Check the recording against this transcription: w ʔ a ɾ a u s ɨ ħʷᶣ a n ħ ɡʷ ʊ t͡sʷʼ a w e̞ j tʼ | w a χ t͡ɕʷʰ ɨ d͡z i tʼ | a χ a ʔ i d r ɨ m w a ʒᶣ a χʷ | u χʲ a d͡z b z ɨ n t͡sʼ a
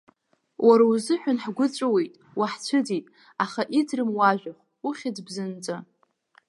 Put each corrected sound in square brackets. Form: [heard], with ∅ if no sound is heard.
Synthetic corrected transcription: w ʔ a ɾ a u [z] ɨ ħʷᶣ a n ħ ɡʷ ʊ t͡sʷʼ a w e̞ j tʼ | w a [ħ] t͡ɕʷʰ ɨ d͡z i tʼ | a χ a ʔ i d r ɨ m w a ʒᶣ a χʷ | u χʲ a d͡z b z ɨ n t͡sʼ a